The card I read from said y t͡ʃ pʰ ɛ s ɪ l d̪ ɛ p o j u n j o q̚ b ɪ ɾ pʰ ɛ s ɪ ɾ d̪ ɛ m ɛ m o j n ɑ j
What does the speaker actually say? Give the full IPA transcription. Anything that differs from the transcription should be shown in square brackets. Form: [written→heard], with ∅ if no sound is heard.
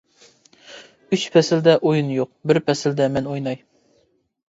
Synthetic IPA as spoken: y t͡ʃ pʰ ɛ s ɪ l d̪ ɛ [p→ʔ] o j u n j o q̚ b ɪ ɾ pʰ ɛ s ɪ [ɾ→l] d̪ ɛ m ɛ [m→n] o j n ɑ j